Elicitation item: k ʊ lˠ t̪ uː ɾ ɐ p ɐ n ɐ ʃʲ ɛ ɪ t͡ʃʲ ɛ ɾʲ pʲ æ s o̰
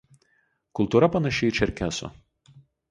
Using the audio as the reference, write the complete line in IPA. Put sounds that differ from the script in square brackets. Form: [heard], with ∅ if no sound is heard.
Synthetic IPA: k ʊ lˠ t̪ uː ɾ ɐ p ɐ n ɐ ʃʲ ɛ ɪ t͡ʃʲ ɛ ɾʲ [kʲ] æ s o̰